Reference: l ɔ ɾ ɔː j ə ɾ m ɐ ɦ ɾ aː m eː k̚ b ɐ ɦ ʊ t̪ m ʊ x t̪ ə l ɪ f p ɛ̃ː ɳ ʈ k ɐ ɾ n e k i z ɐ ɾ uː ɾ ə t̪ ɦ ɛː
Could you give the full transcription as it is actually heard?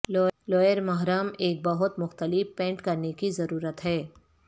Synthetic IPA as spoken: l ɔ l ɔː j ə ɾ m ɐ ɦ ɾ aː m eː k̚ b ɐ ɦ ʊ t̪ m ʊ x t̪ ə l ɪ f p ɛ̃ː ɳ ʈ k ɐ ɾ n e k i z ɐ ɾ uː ɾ ə t̪ ɦ ɛː